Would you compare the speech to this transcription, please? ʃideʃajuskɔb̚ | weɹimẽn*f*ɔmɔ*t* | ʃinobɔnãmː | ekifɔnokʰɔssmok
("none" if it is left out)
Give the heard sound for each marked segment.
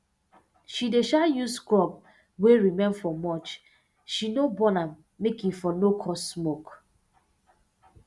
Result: f, t͡ʃ

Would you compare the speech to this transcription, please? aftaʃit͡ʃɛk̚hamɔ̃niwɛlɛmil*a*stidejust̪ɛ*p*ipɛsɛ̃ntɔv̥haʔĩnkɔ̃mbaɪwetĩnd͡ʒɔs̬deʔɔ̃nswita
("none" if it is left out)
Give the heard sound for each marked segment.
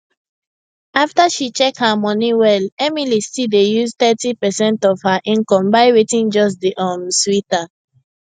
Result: i, t

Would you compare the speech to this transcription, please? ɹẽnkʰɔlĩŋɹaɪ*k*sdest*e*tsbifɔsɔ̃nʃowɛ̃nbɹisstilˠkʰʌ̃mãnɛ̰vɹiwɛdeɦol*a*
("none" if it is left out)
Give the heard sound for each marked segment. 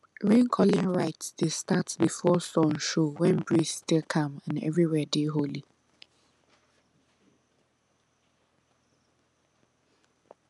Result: t, a, i

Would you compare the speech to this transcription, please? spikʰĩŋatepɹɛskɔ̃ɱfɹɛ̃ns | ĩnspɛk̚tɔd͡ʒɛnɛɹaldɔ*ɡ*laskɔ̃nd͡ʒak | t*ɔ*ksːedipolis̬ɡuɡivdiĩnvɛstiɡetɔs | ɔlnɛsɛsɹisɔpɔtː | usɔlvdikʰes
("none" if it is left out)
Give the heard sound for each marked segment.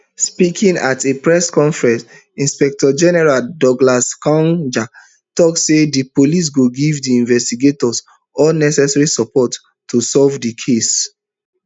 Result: ɡ, ɔ

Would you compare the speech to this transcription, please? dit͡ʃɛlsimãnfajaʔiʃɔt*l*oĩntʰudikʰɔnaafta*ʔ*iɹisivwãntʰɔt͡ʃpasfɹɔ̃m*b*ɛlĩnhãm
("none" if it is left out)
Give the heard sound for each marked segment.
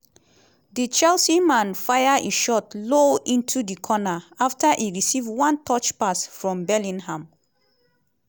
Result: l, ʔ, b

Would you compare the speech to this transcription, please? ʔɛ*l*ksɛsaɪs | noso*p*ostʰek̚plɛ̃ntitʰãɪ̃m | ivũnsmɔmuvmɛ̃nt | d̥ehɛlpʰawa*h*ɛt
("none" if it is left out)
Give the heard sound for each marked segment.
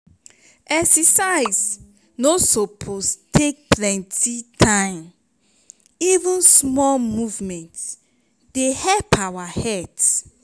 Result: none, pʰ, h

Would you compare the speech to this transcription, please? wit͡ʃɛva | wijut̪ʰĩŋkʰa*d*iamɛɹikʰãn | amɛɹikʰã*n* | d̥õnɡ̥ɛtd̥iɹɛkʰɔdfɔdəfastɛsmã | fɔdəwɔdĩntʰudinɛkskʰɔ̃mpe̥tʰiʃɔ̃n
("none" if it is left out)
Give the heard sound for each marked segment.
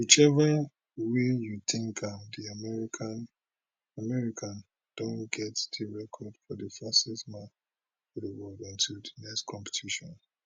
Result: d, n

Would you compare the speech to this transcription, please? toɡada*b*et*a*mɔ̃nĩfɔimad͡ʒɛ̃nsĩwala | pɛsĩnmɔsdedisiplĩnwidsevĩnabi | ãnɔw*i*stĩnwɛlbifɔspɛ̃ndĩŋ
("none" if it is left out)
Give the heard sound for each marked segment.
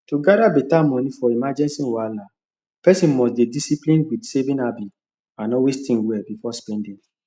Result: b, a, e

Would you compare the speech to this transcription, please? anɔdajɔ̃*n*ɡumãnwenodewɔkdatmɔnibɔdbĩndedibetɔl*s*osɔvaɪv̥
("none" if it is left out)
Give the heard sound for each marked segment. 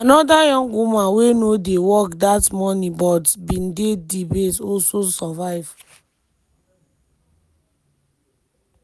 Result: ŋ, s

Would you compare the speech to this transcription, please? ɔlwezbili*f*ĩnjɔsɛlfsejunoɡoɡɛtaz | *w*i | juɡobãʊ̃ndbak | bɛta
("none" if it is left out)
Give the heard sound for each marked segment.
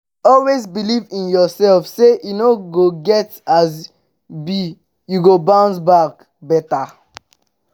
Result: v, b

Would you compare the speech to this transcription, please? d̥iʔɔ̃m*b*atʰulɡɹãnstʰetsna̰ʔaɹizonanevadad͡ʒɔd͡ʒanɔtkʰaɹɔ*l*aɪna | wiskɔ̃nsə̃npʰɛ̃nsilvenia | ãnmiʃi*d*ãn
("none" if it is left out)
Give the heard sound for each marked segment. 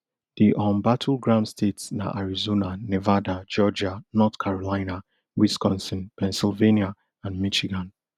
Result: b, l, ɡ

